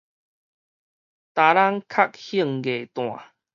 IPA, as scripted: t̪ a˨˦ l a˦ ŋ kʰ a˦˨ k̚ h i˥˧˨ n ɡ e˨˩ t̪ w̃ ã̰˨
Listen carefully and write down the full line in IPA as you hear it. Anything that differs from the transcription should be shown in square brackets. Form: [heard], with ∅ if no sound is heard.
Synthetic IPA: t̪ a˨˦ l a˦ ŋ kʰ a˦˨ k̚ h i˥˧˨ [ŋ] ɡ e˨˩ t̪ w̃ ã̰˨